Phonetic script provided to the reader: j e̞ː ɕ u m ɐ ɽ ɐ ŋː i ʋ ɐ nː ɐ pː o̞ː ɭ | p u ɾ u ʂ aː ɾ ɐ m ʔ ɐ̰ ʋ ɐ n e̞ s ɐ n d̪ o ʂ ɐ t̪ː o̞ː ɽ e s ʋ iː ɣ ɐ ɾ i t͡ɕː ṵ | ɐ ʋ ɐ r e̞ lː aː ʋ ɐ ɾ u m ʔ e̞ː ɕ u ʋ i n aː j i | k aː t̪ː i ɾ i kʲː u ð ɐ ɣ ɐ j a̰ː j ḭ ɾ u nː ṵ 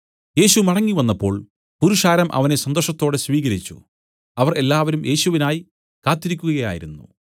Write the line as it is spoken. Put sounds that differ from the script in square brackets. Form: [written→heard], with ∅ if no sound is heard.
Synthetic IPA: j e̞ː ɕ u m ɐ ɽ ɐ ŋː i ʋ ɐ nː ɐ pː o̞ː ɭ | p u ɾ u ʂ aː ɾ ɐ m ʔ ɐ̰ ʋ ɐ n e̞ s ɐ n d̪ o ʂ ɐ t̪ː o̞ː ɽ e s ʋ iː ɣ ɐ ɾ i t͡ɕː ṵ | ɐ ʋ ɐ r e̞ lː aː ʋ ɐ ɾ u m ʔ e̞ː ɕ u ʋ i n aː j i | k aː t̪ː i ɾ i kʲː u [ð→ɣ] ɐ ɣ ɐ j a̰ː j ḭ ɾ u nː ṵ